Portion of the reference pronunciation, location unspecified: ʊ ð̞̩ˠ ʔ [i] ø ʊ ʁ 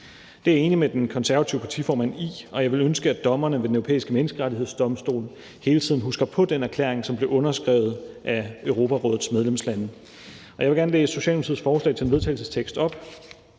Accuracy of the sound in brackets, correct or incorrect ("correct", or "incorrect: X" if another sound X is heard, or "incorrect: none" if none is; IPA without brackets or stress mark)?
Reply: incorrect: æ